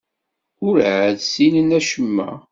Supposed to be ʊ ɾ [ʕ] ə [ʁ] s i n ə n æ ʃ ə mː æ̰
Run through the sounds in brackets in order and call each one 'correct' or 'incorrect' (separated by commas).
correct, incorrect